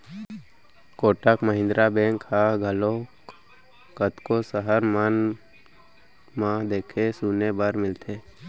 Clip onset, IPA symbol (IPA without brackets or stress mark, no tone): k